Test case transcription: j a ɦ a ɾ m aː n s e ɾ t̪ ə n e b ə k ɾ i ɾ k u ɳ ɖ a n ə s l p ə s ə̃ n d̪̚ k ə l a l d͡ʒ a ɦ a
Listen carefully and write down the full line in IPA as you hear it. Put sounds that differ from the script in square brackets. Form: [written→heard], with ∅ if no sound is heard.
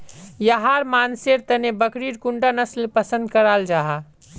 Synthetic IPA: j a ɦ a ɾ m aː n s e ɾ t̪ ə n e b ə k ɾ i ɾ k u ɳ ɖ a n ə s l p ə s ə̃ n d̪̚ k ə [l→ɾ] a l d͡ʒ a ɦ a